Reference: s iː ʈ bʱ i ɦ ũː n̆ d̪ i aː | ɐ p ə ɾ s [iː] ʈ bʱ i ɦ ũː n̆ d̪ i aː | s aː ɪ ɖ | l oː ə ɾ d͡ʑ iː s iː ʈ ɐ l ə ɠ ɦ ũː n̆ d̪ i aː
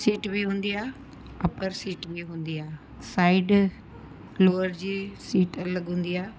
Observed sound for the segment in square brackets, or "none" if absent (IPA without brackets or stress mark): iː